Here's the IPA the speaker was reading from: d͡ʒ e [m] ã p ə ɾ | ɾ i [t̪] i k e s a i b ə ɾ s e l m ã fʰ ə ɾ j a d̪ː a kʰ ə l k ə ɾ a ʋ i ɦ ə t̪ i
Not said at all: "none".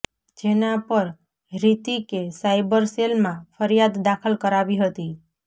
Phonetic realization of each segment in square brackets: n, t̪

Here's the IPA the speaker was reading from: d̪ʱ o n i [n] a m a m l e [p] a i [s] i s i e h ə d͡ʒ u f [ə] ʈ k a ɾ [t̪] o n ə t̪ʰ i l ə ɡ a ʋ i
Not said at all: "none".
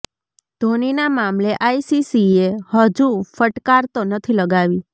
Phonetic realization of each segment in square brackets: n, ʔ, s, ə, t̪

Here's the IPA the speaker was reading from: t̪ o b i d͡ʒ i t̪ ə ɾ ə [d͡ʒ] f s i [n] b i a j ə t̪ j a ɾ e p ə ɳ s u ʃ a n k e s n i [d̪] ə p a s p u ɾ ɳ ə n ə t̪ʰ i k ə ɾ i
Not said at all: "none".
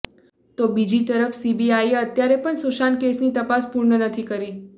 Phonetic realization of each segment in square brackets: none, none, t̪

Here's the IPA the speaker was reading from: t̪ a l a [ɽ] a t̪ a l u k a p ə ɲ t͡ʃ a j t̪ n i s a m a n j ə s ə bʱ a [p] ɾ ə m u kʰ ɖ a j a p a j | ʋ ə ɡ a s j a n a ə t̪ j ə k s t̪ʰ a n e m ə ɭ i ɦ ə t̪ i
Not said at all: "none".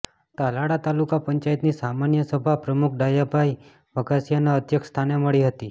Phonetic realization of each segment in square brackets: ɽ, p

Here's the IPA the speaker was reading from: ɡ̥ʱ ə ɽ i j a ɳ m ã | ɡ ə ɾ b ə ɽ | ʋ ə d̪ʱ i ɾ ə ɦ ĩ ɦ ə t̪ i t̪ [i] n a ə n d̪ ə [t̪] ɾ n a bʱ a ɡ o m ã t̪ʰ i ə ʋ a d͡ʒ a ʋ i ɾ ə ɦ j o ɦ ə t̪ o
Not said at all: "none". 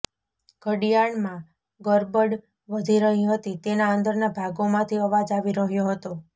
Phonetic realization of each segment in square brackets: e, none

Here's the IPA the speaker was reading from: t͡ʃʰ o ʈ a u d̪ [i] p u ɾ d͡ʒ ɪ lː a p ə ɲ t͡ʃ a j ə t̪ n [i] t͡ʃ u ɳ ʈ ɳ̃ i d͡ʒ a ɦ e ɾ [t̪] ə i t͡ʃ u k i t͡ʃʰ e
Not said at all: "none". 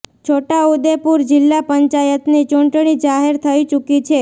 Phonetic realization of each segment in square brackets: e, i, t̪ʰ

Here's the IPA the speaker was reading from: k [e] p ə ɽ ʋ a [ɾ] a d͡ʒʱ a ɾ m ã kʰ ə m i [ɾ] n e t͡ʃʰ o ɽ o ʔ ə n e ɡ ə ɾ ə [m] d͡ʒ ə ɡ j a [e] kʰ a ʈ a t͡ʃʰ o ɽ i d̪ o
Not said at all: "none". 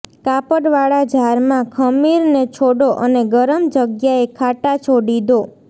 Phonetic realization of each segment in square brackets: a, ɭ, ɾ, m, e

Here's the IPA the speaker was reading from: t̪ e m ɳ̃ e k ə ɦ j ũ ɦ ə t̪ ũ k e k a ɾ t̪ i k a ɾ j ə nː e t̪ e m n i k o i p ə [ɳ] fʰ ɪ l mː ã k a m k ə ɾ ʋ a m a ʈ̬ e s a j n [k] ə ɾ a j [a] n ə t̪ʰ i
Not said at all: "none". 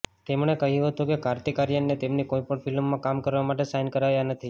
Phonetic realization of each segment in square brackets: ɳ, k, a

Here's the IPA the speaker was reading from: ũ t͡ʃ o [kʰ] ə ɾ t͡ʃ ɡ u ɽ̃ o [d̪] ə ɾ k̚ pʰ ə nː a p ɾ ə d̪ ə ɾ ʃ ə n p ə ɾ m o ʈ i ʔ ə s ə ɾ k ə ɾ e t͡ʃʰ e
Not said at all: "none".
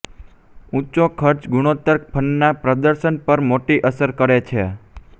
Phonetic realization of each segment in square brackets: kʰ, t̪

